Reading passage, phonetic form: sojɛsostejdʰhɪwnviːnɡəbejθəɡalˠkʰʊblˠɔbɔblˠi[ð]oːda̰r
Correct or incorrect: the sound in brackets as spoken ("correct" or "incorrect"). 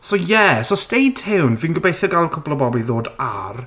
correct